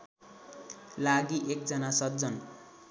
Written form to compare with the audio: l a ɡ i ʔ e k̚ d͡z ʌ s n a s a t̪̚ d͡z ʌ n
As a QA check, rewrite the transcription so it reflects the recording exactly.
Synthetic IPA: l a ɡ i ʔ e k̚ d͡z ʌ n a s ʌ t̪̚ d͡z ʌ n